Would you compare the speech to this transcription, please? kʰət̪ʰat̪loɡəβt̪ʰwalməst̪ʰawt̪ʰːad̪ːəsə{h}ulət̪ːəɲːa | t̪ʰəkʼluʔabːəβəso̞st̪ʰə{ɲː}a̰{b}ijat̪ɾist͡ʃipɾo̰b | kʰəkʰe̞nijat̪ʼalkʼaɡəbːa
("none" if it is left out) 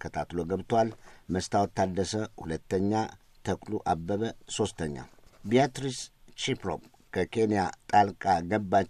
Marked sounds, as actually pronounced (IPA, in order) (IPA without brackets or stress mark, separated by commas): h, ɲː, b